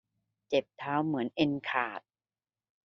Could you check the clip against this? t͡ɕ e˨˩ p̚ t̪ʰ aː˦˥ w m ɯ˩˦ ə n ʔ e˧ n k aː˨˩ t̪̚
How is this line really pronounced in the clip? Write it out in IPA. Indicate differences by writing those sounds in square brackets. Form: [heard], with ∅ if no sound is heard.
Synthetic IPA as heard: t͡ɕ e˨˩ p̚ t̪ʰ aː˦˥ w m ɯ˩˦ ə n ʔ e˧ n [kʰ] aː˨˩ t̪̚